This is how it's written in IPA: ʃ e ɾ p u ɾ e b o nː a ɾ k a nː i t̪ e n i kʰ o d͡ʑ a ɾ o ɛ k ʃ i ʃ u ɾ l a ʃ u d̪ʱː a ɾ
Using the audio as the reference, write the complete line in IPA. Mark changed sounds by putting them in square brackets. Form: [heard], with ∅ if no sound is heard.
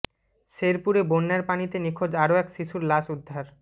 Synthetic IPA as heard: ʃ e ɾ p u ɾ e b o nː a ɾ [p] a [n] i t̪ e n i kʰ o d͡ʑ a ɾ o ɛ k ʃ i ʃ u ɾ l a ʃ u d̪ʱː a ɾ